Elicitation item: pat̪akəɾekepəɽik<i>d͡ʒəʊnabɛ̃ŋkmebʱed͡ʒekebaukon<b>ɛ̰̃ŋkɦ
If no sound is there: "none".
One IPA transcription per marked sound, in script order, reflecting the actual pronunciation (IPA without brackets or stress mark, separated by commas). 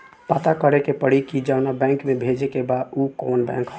i, b